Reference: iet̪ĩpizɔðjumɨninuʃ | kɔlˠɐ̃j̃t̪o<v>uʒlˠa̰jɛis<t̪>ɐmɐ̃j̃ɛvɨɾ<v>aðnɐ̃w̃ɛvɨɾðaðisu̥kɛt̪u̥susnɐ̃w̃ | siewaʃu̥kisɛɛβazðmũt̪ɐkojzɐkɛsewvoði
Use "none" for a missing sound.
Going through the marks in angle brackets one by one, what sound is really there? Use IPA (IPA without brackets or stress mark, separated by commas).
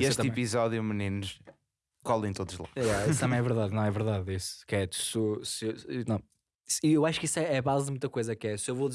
ð, t̪, ð